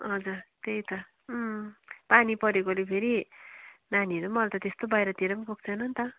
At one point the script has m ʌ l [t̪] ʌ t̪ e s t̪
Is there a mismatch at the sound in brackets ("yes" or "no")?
no